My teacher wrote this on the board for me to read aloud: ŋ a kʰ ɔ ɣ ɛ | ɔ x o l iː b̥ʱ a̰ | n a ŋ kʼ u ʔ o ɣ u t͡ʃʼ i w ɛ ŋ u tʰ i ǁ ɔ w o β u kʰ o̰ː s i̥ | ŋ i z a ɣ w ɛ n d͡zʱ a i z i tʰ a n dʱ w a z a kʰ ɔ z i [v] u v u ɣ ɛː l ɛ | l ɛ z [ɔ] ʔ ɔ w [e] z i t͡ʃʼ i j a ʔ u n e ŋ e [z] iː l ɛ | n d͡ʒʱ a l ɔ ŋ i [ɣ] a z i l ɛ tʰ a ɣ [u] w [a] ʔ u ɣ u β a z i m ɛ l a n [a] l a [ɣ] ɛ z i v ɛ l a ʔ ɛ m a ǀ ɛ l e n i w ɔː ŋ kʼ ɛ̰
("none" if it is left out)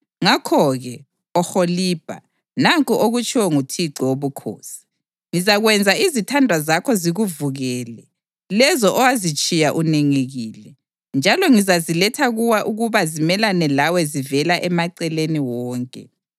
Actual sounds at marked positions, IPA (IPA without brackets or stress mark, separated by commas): ɣ, ɔ, a, ɣ, z, u, a, ɛ, w